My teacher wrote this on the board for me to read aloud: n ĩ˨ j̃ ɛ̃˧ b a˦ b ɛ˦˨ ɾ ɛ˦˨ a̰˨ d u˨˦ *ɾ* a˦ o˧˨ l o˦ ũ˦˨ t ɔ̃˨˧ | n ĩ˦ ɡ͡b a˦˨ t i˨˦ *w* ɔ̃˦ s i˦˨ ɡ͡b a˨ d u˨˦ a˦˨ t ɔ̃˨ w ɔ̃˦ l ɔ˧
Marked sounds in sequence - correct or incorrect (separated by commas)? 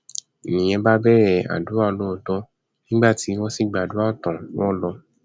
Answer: incorrect, correct